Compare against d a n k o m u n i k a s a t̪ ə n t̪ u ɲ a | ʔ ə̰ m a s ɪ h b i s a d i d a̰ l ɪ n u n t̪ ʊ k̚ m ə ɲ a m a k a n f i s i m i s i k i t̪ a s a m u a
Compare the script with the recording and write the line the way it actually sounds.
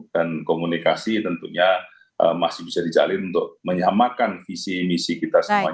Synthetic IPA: d a n k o m u n i k a s i t̪ ə n t̪ u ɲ a | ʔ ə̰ m a s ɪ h b i s a d i d͡ʒ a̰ l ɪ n u n t̪ ʊ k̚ m ə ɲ a m a k a n f i s i m i s i k i t̪ a s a m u a